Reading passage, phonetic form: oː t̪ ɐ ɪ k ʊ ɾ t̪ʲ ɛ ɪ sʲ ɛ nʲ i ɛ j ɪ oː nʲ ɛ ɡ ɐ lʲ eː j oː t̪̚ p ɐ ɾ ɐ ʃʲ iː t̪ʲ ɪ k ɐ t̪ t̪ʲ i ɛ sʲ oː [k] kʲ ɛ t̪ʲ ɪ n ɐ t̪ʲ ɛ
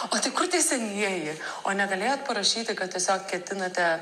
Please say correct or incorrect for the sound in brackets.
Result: correct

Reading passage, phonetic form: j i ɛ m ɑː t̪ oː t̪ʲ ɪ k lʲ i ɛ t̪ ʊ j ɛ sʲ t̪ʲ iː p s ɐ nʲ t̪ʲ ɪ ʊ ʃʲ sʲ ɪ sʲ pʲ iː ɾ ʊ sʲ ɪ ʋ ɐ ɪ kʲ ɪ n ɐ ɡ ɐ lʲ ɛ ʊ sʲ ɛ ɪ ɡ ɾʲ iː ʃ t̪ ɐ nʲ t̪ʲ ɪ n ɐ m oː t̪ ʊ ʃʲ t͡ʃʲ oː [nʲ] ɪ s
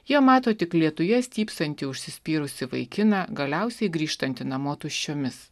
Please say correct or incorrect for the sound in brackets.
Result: incorrect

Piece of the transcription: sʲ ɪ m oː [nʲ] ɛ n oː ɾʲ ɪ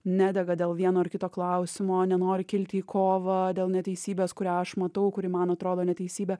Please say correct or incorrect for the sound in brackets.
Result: correct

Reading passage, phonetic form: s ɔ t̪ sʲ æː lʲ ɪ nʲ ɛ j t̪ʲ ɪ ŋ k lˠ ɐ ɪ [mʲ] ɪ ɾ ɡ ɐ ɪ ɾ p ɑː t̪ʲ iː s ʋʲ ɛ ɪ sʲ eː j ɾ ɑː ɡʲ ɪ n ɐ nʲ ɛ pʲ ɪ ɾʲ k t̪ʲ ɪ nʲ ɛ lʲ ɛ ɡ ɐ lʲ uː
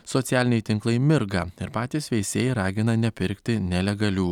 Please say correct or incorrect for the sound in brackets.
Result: correct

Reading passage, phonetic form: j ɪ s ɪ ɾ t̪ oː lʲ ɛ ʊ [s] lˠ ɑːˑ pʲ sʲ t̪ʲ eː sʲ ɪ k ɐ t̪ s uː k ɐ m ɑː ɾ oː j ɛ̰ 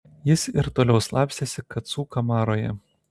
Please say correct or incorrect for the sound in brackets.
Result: correct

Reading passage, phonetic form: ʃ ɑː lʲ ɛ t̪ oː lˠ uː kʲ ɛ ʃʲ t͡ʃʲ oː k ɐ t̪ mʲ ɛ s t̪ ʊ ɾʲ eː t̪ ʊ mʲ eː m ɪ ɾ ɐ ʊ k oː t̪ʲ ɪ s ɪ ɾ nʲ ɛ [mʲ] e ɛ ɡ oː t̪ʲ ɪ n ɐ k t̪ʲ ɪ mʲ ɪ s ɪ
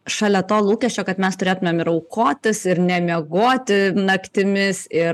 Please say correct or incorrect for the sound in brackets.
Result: correct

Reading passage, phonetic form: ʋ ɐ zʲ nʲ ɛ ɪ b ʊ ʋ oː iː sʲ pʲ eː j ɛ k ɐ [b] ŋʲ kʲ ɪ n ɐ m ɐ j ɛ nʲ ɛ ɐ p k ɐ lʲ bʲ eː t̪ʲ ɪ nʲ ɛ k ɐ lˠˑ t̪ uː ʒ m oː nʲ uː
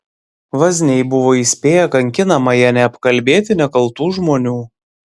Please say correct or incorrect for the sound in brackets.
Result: incorrect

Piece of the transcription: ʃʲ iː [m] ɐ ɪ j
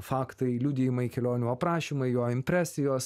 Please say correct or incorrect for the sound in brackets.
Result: correct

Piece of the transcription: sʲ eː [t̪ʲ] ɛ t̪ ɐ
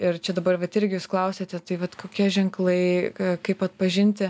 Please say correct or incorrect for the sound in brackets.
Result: correct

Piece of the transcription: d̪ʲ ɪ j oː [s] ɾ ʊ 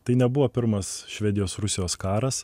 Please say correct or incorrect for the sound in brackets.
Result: correct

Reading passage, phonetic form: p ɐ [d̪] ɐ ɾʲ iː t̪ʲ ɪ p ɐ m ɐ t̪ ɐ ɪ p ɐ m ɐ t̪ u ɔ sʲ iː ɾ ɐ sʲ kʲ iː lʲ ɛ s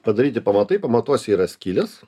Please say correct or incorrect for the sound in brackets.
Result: correct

